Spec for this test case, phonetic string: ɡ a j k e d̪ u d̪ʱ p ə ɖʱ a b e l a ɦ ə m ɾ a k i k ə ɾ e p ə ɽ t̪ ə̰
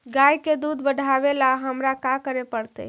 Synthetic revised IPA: ɡ a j k e d̪ u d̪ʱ b ə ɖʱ a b e l a ɦ ə m ɾ a k a k ə ɾ e p ə ɽ t̪ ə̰